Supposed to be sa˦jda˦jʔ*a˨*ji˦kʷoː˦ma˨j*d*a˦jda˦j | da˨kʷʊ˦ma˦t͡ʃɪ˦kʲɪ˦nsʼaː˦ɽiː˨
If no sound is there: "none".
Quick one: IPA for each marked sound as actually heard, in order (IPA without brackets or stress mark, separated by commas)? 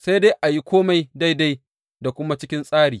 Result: a˨, d